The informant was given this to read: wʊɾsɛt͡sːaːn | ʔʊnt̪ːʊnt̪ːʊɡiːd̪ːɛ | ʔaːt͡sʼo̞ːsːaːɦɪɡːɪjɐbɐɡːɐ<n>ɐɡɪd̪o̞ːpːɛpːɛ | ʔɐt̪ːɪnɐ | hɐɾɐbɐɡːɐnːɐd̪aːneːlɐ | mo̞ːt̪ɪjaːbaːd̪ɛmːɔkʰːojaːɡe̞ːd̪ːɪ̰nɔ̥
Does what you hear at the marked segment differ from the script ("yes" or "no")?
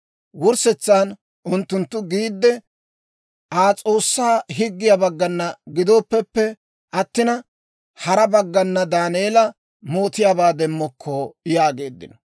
yes